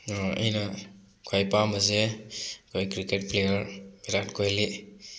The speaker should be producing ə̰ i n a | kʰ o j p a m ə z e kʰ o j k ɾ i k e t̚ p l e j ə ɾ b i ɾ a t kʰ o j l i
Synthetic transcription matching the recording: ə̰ j n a | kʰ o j p a m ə z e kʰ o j k ɾ i k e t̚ p l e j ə ɾ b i ɾ a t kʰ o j l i